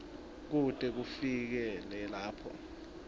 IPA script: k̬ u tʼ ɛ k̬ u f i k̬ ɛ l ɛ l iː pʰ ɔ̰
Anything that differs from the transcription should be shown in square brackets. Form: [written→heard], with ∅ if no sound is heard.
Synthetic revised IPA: k̬ u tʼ ɛ k̬ u f i k̬ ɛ l ɛ l [iː→aː] pʰ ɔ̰